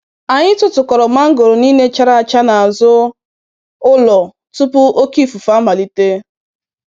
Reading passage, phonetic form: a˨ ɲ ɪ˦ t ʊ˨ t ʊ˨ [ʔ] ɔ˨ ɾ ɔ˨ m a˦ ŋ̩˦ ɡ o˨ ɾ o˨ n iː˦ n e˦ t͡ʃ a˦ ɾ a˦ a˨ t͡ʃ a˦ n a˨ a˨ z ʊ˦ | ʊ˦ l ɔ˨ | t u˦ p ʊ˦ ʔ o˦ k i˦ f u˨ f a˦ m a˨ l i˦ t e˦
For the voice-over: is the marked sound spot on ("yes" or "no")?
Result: no